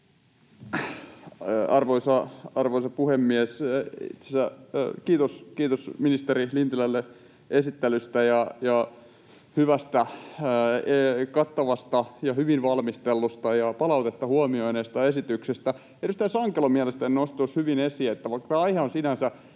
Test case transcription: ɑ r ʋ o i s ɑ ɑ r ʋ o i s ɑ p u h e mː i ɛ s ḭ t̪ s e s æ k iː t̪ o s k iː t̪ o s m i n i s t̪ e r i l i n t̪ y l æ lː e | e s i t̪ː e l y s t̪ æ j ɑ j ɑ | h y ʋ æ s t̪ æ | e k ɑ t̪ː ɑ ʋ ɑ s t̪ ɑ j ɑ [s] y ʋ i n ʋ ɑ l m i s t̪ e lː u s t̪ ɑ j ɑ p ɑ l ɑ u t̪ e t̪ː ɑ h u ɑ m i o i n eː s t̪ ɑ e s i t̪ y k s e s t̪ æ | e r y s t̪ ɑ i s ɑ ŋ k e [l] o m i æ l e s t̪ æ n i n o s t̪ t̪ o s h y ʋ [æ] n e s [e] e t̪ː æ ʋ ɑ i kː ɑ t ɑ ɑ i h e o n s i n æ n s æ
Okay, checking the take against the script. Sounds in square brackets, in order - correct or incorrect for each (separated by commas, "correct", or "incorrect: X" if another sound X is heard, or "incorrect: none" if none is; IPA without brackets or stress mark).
incorrect: h, correct, incorrect: i, incorrect: i